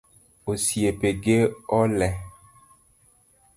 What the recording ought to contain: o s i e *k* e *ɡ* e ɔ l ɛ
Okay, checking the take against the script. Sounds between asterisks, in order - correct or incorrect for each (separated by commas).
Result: incorrect, correct